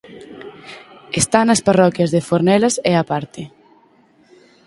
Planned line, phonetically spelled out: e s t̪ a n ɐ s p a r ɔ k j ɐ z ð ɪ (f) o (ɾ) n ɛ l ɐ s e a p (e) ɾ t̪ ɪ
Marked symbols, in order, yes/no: yes, yes, no

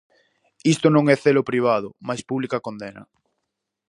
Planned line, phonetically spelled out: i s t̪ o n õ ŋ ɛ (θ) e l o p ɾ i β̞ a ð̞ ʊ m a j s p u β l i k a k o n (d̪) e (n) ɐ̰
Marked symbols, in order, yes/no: yes, yes, yes

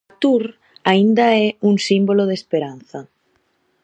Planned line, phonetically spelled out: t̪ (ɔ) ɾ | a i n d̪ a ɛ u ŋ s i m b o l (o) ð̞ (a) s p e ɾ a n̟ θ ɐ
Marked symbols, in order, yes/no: no, yes, no

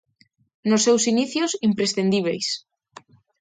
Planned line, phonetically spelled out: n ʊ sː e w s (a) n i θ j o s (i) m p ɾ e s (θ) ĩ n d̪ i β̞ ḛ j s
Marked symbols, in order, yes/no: no, yes, yes

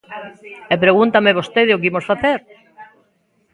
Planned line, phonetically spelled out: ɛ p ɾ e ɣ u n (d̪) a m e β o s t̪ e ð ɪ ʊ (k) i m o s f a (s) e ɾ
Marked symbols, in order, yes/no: no, yes, no

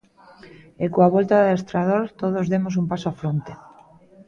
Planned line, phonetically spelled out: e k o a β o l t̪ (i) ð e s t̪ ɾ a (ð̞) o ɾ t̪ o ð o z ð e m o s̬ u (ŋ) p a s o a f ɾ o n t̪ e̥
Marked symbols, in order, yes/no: no, yes, no

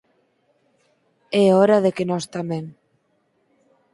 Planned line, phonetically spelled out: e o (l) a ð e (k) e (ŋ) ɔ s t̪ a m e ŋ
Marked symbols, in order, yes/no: no, yes, no

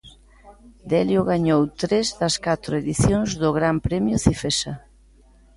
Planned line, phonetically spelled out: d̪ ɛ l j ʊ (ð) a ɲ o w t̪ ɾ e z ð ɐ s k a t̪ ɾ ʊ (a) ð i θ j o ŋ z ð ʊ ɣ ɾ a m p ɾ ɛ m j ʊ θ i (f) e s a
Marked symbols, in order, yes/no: no, no, yes

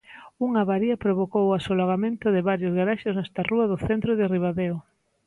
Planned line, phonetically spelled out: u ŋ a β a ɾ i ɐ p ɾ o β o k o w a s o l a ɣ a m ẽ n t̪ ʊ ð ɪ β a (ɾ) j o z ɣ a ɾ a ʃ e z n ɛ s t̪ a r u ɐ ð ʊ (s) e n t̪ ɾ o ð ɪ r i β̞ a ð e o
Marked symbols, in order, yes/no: yes, no

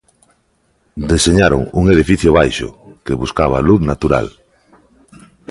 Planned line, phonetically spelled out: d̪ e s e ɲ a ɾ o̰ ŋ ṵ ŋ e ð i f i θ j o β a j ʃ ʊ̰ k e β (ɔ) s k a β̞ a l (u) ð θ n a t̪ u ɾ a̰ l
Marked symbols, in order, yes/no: no, yes

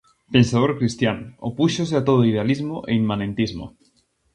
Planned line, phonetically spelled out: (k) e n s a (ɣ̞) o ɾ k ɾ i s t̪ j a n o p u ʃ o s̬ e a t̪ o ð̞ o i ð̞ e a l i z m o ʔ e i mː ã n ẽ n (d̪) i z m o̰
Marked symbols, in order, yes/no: no, no, no

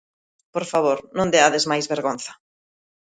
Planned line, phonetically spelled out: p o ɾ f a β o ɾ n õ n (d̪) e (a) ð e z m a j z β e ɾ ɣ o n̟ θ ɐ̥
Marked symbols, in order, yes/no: yes, yes

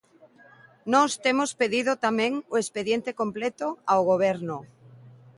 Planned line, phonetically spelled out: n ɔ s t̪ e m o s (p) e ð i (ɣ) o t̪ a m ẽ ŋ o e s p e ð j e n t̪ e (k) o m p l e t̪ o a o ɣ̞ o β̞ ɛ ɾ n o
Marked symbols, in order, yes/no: yes, no, yes

